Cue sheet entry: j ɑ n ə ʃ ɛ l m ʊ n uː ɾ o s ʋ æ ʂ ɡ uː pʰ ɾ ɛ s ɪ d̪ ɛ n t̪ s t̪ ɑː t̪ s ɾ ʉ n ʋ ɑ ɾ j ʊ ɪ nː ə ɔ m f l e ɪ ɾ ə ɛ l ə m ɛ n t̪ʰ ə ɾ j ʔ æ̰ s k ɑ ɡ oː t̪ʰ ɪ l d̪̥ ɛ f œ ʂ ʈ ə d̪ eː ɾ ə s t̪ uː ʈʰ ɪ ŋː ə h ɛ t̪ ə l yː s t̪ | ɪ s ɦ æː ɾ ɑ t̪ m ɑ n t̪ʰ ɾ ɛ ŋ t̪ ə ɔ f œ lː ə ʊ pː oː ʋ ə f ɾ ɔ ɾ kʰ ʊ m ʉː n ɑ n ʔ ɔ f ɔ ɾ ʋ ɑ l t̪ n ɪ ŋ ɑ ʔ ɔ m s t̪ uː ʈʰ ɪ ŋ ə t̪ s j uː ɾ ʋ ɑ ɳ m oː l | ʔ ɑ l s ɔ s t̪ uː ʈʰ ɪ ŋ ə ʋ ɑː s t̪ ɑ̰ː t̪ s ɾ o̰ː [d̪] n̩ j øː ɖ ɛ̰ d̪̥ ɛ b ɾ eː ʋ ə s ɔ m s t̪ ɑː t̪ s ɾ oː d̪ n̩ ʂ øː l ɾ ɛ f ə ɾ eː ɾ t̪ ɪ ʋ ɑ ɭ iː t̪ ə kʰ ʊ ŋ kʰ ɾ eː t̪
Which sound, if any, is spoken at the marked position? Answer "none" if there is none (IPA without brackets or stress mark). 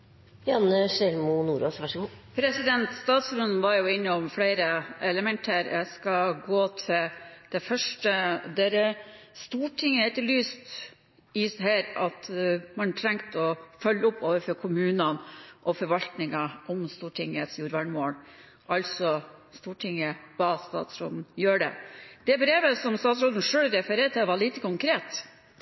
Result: d̪